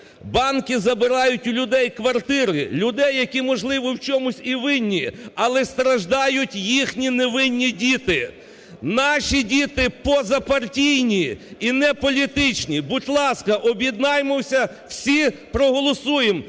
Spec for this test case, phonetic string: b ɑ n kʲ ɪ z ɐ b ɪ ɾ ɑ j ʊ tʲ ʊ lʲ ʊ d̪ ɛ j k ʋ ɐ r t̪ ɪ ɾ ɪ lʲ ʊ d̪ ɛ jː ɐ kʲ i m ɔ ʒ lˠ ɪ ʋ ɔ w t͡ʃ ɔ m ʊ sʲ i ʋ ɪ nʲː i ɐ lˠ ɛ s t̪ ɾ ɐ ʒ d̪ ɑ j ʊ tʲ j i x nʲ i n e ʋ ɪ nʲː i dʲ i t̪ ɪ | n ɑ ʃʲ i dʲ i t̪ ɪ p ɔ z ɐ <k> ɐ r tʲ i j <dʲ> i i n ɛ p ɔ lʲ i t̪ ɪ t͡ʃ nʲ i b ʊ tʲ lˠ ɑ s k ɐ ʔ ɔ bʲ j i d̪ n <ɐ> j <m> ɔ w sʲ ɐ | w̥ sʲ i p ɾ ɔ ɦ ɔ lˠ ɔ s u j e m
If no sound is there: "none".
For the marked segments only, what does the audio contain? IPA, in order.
p, nʲ, ɑ, m

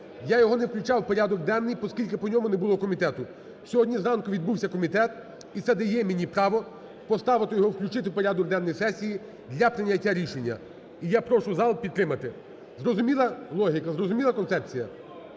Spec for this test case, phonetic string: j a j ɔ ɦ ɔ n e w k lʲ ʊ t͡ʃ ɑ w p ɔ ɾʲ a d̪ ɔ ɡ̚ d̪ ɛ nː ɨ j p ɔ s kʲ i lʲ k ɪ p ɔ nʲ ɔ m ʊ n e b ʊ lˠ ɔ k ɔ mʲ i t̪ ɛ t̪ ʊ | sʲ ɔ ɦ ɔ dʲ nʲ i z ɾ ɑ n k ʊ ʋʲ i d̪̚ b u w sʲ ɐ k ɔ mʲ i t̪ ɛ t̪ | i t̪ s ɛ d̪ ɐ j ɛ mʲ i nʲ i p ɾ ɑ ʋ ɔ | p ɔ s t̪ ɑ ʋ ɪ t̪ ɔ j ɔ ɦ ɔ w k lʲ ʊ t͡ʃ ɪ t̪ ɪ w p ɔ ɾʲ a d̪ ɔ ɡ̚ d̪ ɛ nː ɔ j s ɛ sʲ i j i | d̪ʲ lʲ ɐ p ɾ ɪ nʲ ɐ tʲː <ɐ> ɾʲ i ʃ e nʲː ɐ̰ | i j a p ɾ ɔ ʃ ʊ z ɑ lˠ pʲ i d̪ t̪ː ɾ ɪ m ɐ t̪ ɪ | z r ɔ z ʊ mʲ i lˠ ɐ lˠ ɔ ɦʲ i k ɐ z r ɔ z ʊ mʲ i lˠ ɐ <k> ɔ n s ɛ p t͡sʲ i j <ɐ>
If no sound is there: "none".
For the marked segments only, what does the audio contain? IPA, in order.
a, k, ɐ

